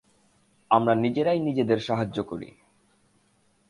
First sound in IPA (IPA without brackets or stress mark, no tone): a